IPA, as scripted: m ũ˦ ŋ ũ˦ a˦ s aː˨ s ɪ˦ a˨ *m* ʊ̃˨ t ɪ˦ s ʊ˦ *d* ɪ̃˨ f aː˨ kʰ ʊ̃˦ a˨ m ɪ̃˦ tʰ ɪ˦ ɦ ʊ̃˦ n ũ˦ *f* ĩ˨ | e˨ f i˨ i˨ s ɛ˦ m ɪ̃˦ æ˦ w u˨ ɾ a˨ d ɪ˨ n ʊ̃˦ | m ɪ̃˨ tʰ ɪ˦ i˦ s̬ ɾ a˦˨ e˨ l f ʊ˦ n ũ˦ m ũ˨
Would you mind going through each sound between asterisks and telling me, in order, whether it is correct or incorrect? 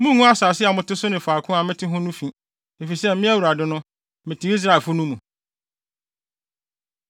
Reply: correct, incorrect: n, correct

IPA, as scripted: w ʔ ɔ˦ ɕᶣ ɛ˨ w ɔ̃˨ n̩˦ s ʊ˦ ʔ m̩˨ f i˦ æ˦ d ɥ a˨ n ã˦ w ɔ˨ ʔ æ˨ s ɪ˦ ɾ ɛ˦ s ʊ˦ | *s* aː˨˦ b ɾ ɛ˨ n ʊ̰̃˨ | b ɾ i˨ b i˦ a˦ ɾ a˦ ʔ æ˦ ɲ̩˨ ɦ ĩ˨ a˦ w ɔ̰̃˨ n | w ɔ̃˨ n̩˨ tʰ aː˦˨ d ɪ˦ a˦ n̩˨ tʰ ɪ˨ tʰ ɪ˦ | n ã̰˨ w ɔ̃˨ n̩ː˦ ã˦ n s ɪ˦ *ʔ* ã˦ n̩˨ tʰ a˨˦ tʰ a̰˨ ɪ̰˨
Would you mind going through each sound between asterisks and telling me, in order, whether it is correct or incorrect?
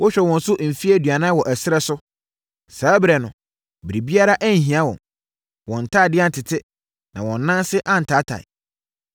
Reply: correct, correct

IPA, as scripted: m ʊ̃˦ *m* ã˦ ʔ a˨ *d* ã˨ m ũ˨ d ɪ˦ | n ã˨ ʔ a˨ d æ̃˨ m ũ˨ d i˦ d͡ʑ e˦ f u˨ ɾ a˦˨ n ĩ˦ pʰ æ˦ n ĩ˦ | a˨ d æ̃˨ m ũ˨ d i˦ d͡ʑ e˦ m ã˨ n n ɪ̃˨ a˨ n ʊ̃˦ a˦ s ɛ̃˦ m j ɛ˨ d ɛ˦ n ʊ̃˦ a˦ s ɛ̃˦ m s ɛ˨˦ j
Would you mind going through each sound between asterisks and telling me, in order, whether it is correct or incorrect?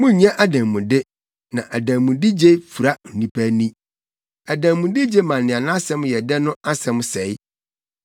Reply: incorrect: ɲ, correct

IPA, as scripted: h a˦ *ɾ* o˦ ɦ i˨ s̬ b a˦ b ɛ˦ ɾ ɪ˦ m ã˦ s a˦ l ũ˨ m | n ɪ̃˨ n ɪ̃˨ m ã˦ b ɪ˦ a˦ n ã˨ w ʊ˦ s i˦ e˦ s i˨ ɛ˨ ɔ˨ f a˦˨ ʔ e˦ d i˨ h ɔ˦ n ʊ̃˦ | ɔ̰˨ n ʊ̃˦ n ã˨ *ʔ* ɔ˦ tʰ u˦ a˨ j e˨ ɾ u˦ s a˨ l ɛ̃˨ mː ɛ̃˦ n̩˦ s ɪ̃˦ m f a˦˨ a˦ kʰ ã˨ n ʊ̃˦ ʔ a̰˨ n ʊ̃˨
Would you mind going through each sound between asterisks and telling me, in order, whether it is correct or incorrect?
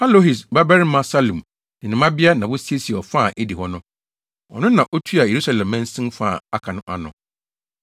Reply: incorrect: l, correct

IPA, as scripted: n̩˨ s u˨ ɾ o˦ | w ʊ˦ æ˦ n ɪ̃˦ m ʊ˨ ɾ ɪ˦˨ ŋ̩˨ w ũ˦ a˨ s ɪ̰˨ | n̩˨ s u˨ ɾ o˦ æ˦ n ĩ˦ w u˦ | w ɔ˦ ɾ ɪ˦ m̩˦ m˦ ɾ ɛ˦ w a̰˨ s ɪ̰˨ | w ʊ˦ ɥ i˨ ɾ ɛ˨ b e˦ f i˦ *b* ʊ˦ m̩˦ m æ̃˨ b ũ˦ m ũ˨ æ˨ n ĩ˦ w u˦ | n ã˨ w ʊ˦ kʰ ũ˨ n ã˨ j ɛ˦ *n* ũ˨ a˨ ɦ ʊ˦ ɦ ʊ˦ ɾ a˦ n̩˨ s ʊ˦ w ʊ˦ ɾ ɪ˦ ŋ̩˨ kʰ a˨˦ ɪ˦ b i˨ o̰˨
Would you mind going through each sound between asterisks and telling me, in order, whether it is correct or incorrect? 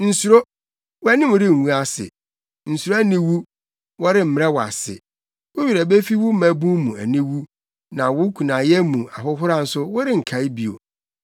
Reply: incorrect: w, incorrect: m

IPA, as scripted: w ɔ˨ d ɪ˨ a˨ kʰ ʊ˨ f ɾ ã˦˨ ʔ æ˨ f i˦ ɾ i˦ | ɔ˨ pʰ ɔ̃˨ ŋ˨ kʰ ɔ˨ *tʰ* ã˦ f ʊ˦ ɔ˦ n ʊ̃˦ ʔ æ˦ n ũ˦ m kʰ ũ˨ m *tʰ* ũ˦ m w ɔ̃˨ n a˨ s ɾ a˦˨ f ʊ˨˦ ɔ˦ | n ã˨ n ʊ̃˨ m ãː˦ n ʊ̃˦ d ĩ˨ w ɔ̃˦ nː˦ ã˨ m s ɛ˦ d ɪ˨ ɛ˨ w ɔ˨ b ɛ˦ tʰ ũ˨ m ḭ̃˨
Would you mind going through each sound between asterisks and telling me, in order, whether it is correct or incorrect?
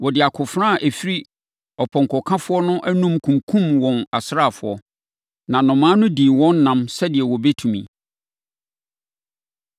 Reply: incorrect: kʰ, incorrect: kʰ

